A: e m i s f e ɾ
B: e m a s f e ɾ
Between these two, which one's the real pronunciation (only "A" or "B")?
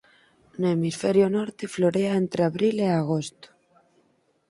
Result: A